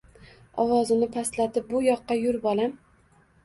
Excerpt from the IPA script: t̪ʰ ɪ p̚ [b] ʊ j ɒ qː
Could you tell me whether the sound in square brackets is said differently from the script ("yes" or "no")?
no